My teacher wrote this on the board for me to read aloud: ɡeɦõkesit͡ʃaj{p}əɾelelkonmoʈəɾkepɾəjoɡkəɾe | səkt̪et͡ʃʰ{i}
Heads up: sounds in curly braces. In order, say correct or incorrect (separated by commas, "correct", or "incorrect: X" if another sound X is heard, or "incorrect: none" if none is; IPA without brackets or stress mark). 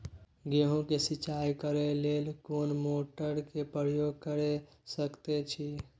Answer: incorrect: k, correct